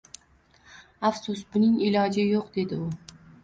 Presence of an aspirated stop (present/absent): absent